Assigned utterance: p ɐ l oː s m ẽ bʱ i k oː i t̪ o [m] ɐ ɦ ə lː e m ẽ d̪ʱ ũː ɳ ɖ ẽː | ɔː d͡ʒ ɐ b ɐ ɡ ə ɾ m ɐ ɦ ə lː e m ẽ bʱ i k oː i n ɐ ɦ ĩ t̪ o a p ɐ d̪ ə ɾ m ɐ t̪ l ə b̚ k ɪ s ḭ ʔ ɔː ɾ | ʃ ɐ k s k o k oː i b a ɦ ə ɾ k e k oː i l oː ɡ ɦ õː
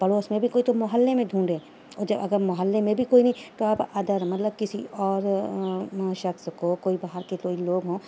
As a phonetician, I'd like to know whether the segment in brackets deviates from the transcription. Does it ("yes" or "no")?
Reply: no